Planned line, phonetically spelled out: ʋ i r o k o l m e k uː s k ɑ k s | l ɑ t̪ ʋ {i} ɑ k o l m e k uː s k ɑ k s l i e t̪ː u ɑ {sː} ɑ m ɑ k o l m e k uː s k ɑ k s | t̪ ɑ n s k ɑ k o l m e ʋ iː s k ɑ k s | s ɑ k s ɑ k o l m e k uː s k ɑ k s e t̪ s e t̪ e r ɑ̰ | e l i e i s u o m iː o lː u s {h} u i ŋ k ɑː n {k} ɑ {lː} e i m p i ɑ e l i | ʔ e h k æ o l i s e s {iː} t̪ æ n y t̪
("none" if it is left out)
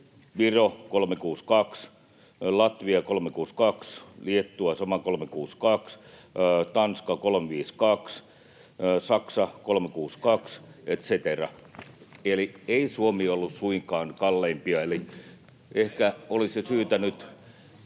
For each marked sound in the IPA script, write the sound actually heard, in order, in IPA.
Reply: i, s, s, k, lː, yː

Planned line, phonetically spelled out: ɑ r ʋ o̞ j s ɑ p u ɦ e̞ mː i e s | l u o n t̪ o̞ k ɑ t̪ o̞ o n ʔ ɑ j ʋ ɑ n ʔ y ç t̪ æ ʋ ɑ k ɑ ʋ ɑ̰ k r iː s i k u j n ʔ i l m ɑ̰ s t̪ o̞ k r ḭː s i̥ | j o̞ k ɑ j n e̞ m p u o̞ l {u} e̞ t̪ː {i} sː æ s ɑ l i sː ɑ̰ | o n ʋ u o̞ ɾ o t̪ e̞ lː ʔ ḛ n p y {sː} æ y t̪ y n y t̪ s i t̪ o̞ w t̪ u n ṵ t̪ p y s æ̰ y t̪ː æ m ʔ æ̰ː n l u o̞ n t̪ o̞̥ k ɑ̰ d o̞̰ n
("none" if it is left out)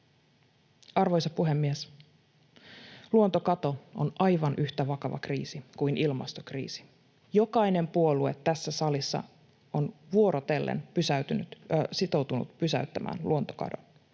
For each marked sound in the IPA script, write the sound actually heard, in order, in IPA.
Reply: u, æ, s

